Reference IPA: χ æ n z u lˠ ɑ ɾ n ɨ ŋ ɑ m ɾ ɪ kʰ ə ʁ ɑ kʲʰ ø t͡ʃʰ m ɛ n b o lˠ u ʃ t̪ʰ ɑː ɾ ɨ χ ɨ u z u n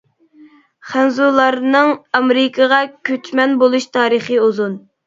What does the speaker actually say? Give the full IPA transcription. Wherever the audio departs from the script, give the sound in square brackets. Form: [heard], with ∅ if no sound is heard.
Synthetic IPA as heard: χ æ n z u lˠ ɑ ɾ n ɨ ŋ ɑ m ɾ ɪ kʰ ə ʁ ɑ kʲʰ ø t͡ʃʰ m ɛ n b o lˠ u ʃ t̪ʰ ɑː ɾ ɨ χ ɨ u z u n